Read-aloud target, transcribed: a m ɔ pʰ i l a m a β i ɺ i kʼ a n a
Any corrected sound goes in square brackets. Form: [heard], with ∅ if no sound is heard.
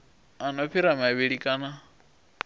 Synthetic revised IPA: a [n] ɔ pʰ i [ɾ] a m a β i ɺ i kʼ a n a